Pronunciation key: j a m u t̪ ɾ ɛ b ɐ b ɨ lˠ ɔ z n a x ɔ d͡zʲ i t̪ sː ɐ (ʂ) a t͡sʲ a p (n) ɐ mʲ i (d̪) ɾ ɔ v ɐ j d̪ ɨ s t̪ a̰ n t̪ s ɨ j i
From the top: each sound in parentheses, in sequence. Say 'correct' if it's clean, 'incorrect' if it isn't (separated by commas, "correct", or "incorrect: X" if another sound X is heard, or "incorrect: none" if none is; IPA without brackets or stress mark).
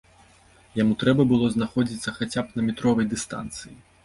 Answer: incorrect: x, correct, incorrect: t̪